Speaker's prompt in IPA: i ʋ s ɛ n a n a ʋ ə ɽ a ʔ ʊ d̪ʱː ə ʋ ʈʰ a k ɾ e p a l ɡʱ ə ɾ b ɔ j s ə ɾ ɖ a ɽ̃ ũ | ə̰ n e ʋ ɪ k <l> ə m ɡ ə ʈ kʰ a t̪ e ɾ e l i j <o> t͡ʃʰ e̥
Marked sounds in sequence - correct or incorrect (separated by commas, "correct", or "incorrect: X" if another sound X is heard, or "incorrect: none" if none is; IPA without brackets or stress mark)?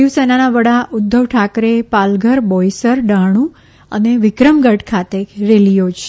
incorrect: ɾ, correct